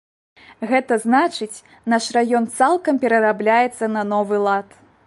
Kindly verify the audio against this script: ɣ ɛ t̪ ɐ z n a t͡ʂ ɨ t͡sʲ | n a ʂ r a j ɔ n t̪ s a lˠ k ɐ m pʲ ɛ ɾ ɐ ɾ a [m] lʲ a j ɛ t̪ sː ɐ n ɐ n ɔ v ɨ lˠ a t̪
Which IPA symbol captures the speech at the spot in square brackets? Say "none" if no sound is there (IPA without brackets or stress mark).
b